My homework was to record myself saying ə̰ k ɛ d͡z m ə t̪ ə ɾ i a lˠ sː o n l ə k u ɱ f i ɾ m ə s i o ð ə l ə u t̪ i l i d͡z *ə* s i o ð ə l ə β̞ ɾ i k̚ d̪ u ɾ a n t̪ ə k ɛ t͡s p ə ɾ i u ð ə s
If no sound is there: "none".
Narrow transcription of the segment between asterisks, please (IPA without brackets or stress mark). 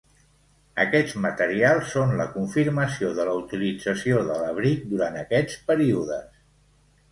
ə